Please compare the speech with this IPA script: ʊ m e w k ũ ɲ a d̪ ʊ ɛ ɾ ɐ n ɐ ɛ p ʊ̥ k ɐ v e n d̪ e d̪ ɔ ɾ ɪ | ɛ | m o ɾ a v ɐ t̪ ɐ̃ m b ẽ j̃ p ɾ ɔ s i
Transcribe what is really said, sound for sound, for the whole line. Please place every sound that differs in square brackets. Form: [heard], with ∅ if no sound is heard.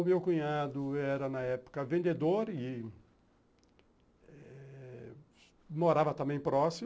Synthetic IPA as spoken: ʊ m e w k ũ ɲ a d̪ ʊ ɛ ɾ ɐ n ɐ ɛ p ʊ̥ k ɐ v [ẽ] n d̪ e d̪ [o] ɾ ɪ | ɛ | m o ɾ a v ɐ t̪ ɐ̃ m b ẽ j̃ p ɾ ɔ s i